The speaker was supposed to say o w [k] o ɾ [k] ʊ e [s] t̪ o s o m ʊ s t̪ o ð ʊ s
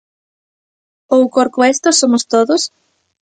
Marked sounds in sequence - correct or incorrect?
correct, correct, correct

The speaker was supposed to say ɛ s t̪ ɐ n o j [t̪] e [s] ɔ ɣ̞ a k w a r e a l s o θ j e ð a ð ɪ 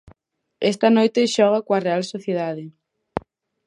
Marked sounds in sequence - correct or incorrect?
correct, incorrect: ʃ

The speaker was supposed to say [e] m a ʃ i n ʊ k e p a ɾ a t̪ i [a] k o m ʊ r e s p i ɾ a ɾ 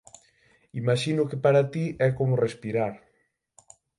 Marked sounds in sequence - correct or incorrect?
incorrect: i, incorrect: ɛ

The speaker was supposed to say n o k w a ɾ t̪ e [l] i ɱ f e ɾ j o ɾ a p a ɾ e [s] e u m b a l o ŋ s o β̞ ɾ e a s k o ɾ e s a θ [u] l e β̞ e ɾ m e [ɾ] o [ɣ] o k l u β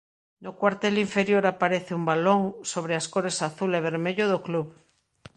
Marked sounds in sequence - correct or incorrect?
correct, incorrect: θ, correct, incorrect: ʎ, incorrect: ð

